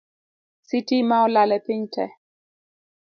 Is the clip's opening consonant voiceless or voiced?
voiceless